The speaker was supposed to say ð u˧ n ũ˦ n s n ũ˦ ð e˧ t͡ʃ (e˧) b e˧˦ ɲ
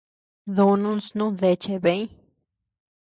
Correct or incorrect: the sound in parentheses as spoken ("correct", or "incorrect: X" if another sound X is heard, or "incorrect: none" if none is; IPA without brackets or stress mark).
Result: correct